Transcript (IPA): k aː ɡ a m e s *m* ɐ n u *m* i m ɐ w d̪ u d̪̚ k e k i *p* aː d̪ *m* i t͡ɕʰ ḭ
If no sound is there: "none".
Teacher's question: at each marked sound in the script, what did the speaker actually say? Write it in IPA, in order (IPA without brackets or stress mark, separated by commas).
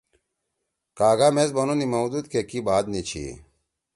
b, n, b, n